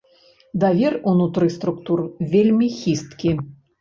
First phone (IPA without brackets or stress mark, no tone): d̪